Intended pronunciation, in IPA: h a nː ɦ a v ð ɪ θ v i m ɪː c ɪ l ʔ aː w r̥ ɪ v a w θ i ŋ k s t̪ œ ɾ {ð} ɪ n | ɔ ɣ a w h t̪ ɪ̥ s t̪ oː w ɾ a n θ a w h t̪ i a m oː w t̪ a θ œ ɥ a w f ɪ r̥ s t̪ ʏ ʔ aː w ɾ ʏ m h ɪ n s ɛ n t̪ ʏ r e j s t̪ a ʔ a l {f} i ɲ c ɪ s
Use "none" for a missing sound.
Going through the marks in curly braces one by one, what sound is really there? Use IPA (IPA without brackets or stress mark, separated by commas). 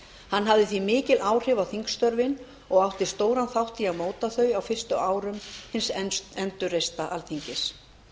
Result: v, θ